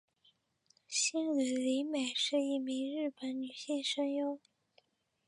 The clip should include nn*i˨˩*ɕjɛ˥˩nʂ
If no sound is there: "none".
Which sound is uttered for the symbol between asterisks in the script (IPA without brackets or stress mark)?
y˨˩